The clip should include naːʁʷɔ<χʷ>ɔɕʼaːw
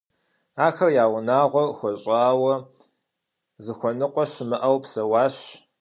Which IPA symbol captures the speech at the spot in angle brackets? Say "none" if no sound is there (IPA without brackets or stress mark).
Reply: xʷ